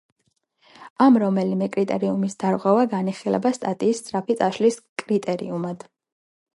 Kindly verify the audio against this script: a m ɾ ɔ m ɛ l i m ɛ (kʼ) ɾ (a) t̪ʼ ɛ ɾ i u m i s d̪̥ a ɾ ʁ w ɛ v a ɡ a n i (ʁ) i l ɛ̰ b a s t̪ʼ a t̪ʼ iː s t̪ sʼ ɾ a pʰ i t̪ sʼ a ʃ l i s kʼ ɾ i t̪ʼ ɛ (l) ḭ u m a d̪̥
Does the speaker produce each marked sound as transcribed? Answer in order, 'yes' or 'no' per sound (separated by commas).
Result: yes, no, no, no